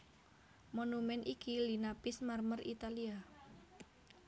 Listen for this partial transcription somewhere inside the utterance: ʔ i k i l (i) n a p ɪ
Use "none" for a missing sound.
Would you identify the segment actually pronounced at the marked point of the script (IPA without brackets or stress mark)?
i